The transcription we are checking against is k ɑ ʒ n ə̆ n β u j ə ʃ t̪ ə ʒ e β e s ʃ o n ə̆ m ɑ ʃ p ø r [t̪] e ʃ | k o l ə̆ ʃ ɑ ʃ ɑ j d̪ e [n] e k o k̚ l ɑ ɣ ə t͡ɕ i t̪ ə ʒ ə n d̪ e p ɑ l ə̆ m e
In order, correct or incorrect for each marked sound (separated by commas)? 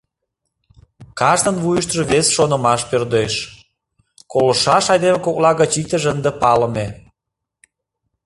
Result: incorrect, incorrect